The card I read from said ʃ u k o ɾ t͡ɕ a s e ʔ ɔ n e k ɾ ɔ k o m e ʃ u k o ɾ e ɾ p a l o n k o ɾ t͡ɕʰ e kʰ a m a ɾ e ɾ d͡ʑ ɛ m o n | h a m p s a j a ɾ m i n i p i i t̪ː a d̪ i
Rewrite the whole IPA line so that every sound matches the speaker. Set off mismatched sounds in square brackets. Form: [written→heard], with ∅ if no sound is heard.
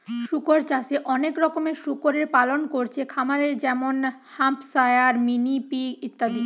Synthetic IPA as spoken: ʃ u k o ɾ t͡ɕ a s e ʔ ɔ n e k ɾ ɔ k o m e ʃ u k o ɾ e ɾ p a l o n k o ɾ t͡ɕʰ e kʰ a m a ɾ e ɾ d͡ʑ ɛ m o n | h a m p s a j a ɾ m i n i p i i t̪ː a d̪ i